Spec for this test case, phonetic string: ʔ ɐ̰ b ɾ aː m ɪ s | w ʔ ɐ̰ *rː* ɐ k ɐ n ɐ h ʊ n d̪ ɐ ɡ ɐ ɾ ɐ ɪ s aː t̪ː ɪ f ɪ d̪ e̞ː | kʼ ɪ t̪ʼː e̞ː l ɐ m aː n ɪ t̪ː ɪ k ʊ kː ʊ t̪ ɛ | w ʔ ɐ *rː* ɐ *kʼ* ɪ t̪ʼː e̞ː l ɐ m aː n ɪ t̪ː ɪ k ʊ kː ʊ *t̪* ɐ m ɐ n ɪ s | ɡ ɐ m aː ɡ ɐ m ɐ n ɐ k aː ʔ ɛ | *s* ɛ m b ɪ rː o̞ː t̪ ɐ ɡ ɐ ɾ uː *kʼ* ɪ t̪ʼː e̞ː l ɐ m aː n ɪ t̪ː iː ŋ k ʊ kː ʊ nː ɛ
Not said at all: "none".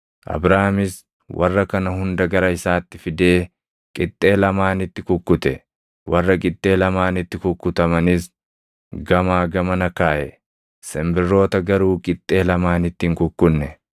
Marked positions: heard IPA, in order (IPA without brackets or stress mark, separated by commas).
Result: rː, rː, kʼ, t̪, s, kʼ